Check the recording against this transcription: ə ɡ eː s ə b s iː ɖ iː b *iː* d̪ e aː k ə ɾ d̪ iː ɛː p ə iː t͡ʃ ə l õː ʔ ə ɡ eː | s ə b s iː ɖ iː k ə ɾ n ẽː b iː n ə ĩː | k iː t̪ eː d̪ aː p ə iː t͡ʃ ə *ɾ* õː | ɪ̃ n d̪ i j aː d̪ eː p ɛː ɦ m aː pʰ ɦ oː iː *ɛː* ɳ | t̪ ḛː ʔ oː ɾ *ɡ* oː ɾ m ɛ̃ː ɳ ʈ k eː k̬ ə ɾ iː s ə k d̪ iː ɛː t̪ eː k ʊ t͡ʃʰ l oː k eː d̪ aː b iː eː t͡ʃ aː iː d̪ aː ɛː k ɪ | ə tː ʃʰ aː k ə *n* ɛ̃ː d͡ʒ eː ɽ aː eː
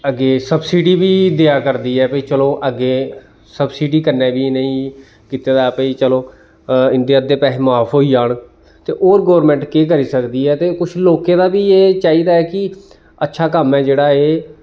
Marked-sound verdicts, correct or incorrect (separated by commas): correct, incorrect, incorrect, correct, incorrect